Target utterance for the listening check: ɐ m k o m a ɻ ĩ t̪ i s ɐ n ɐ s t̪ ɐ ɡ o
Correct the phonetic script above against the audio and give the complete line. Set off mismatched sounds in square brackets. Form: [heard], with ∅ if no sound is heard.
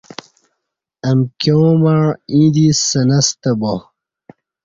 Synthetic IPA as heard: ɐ m k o m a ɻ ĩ [d̪] i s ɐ n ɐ s t̪ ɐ [b] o

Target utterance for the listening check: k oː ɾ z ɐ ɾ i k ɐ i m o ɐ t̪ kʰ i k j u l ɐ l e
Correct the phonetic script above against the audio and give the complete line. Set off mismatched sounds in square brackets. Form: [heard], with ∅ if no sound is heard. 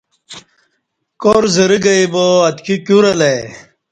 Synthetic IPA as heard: k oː ɾ z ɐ ɾ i [ɡ] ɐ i [b] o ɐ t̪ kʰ i k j u [ɾ] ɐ l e

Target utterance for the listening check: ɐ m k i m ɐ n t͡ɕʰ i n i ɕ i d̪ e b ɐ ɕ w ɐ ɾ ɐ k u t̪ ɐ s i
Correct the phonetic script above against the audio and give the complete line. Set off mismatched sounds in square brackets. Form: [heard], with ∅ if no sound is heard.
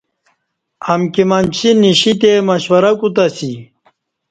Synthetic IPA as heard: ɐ m k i m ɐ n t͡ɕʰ i n i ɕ i [t̪] e [m] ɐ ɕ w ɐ ɾ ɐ k u t̪ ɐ s i

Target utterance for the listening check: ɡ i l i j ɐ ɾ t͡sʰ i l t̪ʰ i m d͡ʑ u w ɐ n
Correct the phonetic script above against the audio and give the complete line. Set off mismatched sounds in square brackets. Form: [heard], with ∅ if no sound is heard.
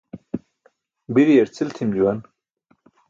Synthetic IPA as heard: [b] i [ɾ] i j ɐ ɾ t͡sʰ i l t̪ʰ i m d͡ʑ u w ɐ n

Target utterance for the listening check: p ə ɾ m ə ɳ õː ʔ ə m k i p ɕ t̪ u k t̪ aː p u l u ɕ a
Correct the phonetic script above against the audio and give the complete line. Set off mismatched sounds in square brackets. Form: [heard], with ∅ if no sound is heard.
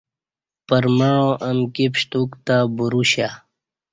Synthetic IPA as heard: p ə ɾ m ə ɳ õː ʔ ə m k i p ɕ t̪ u k t̪ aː [b] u [ɾ] u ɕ a

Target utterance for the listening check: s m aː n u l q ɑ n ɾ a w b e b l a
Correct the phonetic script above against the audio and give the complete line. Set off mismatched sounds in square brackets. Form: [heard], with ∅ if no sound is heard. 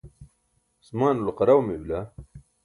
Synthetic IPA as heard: s m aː n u l q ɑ [∅] ɾ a w [m] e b l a

